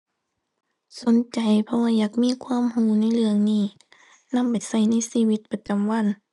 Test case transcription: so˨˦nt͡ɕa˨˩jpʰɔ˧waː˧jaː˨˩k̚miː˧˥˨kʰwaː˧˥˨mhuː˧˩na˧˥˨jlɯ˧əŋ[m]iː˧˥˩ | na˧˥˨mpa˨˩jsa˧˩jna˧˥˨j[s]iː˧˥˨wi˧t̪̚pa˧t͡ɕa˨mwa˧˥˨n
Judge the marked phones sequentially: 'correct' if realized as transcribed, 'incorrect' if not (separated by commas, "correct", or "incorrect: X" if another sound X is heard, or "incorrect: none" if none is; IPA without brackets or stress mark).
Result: incorrect: n, correct